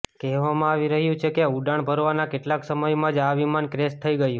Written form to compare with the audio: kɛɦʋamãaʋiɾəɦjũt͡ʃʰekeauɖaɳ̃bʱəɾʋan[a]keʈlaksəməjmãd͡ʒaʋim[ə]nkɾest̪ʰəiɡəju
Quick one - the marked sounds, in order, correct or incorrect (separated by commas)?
correct, incorrect